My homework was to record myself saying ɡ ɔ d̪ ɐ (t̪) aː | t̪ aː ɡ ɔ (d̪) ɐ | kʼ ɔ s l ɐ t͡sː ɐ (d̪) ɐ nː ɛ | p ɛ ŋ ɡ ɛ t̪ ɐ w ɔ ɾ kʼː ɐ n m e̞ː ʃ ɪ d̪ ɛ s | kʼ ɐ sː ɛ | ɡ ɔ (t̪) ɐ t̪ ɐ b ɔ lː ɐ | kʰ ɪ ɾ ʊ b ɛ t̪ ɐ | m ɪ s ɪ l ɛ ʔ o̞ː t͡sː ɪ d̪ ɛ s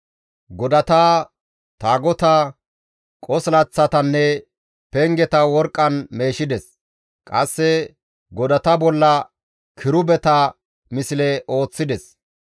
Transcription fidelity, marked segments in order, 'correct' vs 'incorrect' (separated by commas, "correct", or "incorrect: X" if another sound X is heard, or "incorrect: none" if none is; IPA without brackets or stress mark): correct, incorrect: t̪, incorrect: t̪, incorrect: d̪